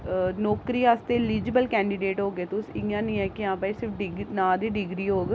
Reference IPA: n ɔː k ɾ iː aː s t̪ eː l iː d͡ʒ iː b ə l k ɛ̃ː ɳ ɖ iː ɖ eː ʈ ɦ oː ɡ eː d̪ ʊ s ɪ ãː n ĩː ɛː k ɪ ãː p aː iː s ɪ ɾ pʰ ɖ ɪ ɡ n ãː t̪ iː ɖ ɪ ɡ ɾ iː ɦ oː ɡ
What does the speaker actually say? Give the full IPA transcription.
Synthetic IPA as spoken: n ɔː k ɾ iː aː s t̪ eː l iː d͡ʒ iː b ə l k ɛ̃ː ɳ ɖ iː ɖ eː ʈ ɦ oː ɡ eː t̪ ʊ s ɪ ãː n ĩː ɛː k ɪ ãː p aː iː s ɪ ɾ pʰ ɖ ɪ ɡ n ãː d̪ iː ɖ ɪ ɡ ɾ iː ɦ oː ɡ